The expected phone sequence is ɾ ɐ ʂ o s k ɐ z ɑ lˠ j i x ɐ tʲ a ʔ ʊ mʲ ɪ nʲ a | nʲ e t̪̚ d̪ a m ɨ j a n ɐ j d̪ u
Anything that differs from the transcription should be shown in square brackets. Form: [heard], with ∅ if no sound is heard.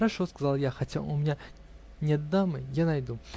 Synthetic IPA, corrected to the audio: ɾ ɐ ʂ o s k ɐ z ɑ lˠ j [a] x ɐ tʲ a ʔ ʊ mʲ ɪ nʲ a | nʲ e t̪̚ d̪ a m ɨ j a n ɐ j d̪ u